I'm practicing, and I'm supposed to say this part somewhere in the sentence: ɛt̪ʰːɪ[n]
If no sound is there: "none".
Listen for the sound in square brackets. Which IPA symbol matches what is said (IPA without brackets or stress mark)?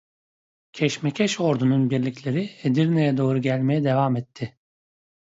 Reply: none